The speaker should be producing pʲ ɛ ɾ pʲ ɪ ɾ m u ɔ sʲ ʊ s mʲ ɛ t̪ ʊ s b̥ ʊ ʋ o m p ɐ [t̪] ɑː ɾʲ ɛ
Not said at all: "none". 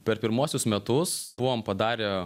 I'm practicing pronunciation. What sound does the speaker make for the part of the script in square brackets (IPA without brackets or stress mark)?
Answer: d̪